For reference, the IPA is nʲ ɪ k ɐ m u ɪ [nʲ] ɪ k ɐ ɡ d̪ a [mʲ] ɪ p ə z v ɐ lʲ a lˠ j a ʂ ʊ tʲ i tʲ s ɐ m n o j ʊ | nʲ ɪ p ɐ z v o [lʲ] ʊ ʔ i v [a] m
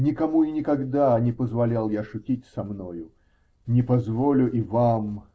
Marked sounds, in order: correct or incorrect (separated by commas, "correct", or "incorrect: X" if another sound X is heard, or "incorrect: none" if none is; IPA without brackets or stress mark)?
correct, incorrect: nʲ, correct, correct